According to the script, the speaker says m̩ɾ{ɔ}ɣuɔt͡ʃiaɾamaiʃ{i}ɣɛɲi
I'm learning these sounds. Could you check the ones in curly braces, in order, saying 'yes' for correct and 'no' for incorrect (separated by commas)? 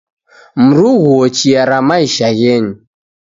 no, no